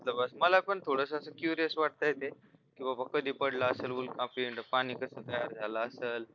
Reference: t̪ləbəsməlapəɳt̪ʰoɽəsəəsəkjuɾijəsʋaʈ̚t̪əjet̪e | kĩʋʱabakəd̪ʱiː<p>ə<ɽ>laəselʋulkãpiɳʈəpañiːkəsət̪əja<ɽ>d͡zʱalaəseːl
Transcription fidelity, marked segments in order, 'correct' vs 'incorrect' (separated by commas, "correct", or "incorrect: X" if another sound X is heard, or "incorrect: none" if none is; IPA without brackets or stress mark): correct, correct, incorrect: ɾ